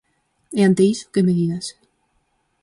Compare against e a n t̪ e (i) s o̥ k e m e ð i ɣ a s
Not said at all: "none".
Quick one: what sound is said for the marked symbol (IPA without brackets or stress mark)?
i